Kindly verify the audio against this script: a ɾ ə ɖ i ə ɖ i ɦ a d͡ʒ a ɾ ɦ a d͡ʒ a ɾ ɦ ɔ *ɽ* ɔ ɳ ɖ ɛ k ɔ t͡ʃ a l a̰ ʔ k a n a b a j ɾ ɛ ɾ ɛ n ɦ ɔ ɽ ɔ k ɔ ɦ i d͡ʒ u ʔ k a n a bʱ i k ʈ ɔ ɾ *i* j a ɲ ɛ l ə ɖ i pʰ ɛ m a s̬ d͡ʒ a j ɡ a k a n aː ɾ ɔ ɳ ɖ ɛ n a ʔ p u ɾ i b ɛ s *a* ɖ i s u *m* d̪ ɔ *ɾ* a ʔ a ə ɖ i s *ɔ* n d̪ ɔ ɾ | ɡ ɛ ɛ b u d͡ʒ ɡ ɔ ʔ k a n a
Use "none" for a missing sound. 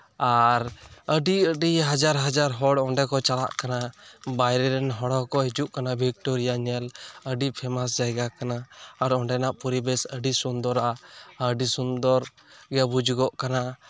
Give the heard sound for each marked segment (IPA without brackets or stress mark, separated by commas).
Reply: ɽ, i, ə, n, ɾ, u